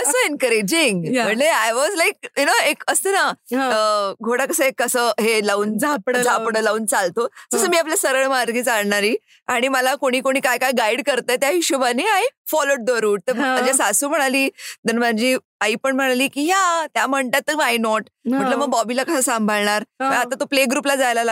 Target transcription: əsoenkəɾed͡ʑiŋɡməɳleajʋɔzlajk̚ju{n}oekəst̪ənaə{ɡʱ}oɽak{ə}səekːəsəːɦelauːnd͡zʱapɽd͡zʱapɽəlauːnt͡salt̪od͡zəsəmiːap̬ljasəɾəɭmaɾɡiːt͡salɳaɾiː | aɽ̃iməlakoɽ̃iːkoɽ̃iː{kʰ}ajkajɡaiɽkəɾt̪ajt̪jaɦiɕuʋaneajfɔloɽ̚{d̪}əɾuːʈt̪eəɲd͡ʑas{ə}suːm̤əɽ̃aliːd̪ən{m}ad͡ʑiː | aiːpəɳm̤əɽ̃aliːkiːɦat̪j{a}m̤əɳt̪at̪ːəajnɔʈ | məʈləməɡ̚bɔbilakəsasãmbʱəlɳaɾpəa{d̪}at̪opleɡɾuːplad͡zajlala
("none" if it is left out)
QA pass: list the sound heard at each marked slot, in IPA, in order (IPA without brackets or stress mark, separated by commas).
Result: n, ɡʱ, ə, k, d̪, a, m, a, t̪